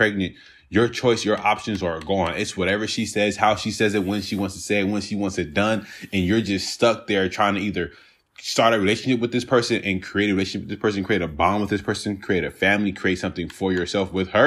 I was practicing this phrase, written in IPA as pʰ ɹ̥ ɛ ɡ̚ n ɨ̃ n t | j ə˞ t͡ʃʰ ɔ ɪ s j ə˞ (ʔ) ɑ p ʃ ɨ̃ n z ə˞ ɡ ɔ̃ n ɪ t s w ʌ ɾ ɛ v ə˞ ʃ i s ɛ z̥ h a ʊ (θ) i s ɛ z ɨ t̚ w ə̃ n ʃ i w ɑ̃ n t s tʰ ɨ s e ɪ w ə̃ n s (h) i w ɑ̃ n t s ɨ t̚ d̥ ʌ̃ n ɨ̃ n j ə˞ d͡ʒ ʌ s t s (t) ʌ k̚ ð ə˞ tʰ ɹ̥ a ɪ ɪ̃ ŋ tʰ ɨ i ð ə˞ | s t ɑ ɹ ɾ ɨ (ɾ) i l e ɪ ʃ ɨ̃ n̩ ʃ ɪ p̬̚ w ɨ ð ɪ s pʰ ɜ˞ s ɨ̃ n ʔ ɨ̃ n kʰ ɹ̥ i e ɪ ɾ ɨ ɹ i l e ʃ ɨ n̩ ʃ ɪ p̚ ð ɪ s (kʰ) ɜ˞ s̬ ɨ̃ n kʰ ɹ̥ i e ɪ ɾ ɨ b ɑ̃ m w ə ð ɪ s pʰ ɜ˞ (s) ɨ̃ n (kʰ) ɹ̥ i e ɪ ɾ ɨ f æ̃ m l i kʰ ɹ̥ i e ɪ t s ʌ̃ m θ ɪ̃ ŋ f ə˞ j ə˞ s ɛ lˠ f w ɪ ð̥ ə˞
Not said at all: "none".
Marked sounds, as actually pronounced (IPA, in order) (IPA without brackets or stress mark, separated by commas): ʔ, ʃ, ʃ, t, ɹ, pʰ, s, kʰ